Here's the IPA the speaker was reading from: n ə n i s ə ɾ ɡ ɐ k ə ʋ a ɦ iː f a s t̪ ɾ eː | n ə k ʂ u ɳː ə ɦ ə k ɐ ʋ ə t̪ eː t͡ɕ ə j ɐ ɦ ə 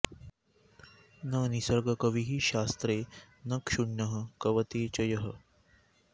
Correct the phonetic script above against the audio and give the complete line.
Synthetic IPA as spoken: n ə n i s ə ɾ ɡ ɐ k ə ʋ i ɦ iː ɕ a s t̪ ɾ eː | n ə k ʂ u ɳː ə ɦ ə k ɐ ʋ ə t̪ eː t͡ɕ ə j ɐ ɦ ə